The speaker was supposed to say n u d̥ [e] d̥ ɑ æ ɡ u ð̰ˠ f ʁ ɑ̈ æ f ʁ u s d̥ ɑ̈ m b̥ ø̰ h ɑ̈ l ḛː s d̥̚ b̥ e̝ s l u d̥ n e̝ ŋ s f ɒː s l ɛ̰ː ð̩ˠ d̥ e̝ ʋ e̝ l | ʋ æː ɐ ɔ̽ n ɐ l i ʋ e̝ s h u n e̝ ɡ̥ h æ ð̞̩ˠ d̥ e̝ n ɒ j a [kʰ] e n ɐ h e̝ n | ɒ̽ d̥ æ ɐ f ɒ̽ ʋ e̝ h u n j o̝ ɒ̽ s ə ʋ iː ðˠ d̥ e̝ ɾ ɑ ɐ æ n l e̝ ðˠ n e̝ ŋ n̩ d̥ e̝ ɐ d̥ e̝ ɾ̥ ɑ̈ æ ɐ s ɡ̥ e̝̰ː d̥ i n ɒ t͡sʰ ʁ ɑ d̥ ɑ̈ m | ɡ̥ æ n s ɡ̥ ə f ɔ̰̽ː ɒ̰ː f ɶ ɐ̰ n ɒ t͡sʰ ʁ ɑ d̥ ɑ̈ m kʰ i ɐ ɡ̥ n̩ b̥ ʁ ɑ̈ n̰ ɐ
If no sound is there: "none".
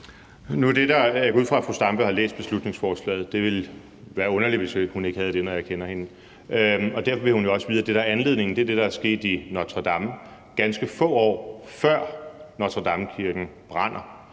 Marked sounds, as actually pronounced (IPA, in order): e, kʰ

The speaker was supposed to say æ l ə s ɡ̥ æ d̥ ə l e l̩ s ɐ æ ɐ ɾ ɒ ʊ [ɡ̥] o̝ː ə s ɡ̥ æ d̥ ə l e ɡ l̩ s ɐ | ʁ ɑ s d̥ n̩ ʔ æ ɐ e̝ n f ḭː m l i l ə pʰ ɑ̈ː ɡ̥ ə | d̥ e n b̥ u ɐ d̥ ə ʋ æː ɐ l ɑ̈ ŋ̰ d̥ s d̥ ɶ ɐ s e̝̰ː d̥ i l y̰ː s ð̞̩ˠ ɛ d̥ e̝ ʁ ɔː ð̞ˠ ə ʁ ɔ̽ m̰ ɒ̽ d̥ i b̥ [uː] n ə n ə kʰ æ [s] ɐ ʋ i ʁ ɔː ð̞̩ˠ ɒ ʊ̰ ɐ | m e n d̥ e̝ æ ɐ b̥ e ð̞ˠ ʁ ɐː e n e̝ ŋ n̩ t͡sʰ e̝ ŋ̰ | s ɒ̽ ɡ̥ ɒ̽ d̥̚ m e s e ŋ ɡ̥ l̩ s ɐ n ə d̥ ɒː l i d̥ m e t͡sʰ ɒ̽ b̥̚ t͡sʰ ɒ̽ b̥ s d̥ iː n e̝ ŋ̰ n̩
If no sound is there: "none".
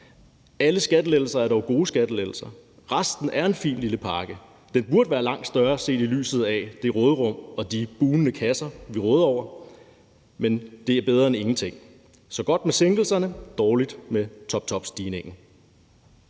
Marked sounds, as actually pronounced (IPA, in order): ɡ̥, uː, s

